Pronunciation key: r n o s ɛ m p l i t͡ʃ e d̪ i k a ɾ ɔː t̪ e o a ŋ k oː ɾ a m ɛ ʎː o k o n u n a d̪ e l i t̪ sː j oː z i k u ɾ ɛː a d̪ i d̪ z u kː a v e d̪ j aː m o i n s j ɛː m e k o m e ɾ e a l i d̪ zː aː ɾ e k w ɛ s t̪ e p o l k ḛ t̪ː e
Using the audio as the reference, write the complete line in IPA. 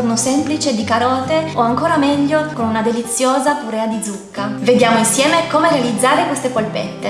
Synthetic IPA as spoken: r n o s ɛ m p l i t͡ʃ e d̪ i k a ɾ ɔː t̪ e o a ŋ k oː ɾ a m ɛ ʎː o k o n u n a d̪ e l i t̪ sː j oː z a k u ɾ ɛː a d̪ i d̪ z u kː a v e d̪ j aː m o i n s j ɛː m e k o m e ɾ e a l i d̪ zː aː ɾ e k w e s t̪ e p o l p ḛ t̪ː e